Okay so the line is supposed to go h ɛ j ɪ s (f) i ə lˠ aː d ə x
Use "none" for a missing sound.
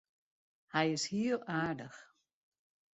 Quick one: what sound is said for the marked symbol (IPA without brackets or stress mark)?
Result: h